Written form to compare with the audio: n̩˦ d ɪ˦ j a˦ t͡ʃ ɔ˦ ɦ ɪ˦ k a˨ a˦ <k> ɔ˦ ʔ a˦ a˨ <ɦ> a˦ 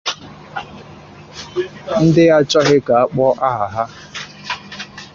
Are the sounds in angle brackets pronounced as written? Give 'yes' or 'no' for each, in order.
no, yes

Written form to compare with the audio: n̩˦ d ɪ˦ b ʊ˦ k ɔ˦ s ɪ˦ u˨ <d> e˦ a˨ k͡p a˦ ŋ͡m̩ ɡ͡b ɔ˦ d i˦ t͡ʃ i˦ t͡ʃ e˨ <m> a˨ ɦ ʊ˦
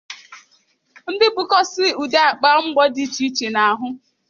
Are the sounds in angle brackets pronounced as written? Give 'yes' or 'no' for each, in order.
yes, no

